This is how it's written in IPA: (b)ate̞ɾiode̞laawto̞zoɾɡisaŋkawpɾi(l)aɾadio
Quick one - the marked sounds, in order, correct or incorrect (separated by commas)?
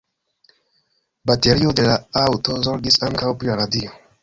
correct, correct